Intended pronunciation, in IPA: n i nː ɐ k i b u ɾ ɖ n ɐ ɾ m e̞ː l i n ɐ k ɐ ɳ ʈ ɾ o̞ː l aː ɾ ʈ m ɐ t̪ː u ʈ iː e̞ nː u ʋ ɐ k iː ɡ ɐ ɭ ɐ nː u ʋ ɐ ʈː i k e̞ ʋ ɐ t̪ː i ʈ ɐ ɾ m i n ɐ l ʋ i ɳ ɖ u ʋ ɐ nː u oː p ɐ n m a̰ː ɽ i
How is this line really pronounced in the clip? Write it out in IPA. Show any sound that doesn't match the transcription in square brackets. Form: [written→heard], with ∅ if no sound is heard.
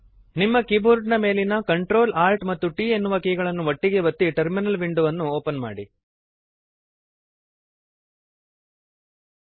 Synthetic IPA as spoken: n i [nː→mː] ɐ k i b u ɾ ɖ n ɐ [ɾ→∅] m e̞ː l i n ɐ k ɐ ɳ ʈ ɾ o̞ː l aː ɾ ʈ m ɐ t̪ː u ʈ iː e̞ nː u ʋ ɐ k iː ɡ ɐ ɭ ɐ nː u ʋ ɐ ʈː i [k→ɡ] e̞ ʋ ɐ t̪ː i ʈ ɐ ɾ m i n ɐ l ʋ i ɳ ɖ u ʋ ɐ nː u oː p ɐ n m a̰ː ɽ i